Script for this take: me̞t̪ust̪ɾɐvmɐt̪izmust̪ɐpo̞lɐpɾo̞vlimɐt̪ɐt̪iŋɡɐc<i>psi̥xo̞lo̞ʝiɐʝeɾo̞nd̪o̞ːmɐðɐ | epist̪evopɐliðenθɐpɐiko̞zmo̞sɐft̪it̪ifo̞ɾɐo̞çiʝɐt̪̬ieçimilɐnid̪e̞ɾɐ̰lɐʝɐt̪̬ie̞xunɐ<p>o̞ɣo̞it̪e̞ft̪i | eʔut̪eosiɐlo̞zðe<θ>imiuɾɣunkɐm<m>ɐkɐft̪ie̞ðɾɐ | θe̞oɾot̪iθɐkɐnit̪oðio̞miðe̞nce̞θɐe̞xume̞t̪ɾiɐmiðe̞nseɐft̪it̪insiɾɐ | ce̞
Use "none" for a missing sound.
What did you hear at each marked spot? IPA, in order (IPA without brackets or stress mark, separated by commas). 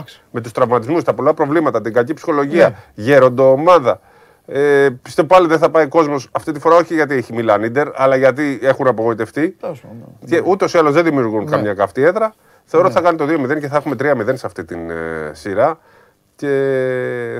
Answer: i, p, ð, ɲ